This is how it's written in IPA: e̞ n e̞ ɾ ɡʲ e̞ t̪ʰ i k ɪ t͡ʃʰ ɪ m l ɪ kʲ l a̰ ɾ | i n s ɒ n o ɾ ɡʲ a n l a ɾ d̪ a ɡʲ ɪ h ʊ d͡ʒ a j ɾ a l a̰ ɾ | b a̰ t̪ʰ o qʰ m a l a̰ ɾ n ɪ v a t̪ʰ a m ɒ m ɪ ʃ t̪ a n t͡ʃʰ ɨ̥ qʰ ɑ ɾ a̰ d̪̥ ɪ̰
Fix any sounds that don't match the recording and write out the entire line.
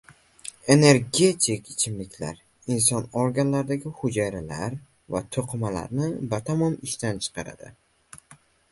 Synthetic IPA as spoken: e̞ n e̞ ɾ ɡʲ e̞ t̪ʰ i k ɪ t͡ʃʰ ɪ m l ɪ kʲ l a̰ ɾ | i n s ɒ n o ɾ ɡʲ a n l a ɾ d̪ a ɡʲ ɪ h ʊ d͡ʒ a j ɾ a l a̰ ɾ | v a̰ t̪ʰ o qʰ m a l a̰ ɾ n ɪ b a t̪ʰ a m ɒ m ɪ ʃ t̪ a n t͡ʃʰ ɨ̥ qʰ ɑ ɾ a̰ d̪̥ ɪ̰

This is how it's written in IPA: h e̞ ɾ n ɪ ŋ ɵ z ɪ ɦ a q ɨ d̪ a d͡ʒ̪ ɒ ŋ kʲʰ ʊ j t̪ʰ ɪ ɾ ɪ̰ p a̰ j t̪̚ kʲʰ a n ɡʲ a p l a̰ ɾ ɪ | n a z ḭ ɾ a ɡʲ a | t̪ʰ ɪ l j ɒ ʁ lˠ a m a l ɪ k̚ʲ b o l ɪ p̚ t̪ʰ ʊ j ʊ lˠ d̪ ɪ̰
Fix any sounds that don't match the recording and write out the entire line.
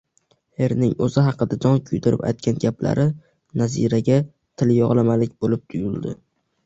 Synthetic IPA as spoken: h e̞ ɾ n ɪ ŋ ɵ z ɪ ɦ ɑ q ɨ d̪ a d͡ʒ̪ ɒ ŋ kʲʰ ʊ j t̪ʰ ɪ ɾ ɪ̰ p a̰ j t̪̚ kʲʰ a n ɡʲ a p l a̰ ɾ ɪ | n a z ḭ ɾ a ɡʲ a | t̪ʰ ɪ l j ɒ ʁ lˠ a m a l ɪ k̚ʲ b o l ɪ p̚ t̪ʰ ʊ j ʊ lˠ d̪ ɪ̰

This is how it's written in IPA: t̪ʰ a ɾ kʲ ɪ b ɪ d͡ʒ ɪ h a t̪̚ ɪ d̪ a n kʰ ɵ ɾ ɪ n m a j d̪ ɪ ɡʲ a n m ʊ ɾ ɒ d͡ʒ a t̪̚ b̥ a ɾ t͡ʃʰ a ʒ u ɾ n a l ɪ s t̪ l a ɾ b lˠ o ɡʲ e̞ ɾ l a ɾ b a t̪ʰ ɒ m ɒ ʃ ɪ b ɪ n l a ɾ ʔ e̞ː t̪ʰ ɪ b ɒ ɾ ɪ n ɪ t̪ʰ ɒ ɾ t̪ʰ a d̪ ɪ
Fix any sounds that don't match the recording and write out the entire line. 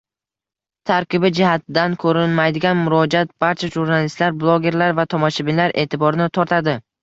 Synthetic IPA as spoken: t̪ʰ a ɾ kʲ ɪ b ɪ d͡ʒ ɪ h a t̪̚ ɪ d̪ a n kʰ ɵ ɾ ɪ n m a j d̪ ɪ ɡʲ a n m ʊ ɾ ɒ d͡ʒ a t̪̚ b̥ a ɾ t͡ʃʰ a ʒ u ɾ n a l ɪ s t̪ l a ɾ b lˠ o ɡʲ e̞ ɾ l a ɾ v a t̪ʰ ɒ m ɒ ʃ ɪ b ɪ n l a ɾ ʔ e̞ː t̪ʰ ɪ b ɒ ɾ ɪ n ɪ t̪ʰ ɒ ɾ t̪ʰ a d̪ ɪ

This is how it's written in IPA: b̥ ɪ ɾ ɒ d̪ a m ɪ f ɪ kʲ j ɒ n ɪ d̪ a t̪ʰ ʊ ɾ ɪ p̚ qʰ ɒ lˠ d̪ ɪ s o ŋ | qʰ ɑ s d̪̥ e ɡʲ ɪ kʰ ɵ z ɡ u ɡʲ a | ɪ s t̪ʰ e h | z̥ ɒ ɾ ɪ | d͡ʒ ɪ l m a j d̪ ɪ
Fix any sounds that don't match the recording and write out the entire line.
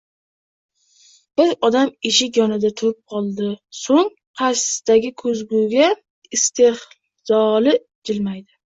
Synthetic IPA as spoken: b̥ ɪ ɾ ɒ d̪ a m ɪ ʃ ɪ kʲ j ɒ n ɪ d̪ a t̪ʰ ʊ ɾ ɪ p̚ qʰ ɒ lˠ d̪ ɪ s o ŋ | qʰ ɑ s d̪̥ a ɡʲ ɪ kʰ ɵ z ɡ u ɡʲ a | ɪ s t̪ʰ e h | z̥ ɒ l ɪ | d͡ʒ ɪ l m a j d̪ ɪ

